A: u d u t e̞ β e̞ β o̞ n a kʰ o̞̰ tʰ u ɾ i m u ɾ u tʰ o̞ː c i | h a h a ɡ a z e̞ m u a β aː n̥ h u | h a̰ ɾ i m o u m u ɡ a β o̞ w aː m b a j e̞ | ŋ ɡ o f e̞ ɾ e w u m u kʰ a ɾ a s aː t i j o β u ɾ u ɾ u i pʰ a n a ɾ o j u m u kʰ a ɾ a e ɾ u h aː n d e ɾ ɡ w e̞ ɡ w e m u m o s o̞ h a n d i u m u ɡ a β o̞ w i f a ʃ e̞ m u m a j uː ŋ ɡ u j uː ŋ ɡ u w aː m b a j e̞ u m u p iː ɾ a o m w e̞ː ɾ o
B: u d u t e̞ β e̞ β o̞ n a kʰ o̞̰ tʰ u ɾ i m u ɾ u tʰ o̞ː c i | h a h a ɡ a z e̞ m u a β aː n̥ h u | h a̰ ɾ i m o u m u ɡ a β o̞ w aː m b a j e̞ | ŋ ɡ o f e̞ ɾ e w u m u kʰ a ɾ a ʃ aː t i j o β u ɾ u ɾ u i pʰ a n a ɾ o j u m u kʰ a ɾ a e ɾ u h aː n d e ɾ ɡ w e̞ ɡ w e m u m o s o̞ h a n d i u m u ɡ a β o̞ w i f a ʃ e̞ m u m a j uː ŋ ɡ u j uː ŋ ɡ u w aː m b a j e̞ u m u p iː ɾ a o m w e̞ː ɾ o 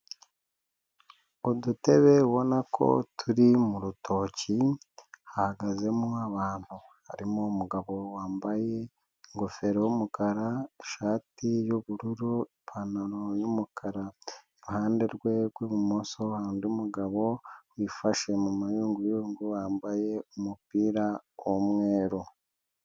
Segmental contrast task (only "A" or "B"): B